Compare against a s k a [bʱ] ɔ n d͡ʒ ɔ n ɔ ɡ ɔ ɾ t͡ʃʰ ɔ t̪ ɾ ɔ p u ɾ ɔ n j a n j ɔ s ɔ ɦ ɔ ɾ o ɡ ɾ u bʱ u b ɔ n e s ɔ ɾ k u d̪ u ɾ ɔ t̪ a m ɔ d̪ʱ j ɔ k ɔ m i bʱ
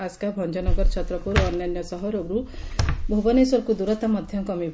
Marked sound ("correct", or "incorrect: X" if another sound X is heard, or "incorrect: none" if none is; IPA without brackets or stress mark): correct